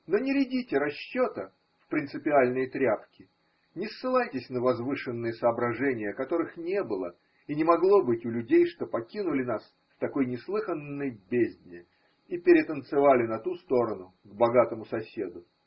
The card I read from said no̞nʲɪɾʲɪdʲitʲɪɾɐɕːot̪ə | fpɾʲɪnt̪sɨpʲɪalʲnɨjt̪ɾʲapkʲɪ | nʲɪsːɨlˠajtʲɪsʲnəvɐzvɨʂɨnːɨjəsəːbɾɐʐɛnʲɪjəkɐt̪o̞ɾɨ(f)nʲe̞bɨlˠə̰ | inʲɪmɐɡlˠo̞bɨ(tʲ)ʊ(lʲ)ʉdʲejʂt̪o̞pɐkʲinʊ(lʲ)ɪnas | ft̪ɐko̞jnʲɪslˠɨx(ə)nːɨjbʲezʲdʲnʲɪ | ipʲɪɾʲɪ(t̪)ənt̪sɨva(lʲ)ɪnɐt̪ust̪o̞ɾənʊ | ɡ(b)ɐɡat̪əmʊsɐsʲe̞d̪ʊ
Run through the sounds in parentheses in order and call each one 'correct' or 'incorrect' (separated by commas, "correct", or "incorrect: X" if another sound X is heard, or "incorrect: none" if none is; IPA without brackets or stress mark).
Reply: incorrect: x, correct, correct, correct, correct, correct, correct, correct